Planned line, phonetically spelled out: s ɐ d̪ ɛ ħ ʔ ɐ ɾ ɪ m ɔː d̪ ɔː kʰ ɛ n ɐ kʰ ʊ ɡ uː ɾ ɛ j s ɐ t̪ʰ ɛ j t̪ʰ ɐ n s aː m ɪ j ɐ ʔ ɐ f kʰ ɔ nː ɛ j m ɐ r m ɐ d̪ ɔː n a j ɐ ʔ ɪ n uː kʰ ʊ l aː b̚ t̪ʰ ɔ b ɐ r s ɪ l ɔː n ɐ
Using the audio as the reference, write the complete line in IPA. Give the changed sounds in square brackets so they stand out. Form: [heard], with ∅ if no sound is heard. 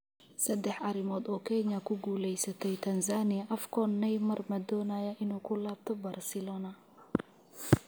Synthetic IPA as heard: s ɐ d̪ ɛ ħ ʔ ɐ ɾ ɪ m ɔː d̪ ɔː kʰ ɛ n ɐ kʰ ʊ ɡ uː [l] ɛ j s ɐ t̪ʰ ɛ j t̪ʰ ɐ n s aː [n] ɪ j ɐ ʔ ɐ f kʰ ɔ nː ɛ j m ɐ r m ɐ d̪ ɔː n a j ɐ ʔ ɪ n uː kʰ ʊ l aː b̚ t̪ʰ ɔ b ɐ r s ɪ l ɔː n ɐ